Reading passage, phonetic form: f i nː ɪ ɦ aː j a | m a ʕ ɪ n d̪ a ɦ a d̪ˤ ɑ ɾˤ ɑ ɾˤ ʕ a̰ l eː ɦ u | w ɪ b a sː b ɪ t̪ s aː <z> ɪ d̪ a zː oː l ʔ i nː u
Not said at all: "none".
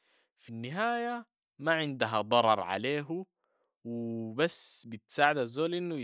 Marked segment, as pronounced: ʕ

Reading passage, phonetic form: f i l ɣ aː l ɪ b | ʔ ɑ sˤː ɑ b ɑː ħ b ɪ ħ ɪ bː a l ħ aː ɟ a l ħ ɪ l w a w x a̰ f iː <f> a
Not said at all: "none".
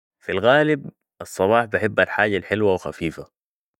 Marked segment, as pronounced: f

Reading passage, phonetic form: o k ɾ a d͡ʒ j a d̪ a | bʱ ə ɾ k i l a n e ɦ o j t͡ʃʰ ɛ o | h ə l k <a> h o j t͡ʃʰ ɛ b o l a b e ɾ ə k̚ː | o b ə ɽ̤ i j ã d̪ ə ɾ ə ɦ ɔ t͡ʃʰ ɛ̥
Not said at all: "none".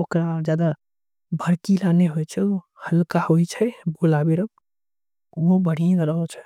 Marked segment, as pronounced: a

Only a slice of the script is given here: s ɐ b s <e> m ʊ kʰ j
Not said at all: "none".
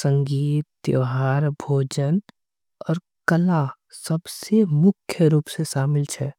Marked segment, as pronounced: e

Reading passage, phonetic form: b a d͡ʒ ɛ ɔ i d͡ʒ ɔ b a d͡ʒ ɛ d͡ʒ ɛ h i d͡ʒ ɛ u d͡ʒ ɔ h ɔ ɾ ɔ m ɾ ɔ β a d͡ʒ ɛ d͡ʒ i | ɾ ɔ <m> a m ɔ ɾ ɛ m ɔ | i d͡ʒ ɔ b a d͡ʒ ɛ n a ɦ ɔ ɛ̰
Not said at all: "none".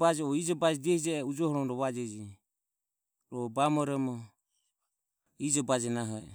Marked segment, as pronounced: b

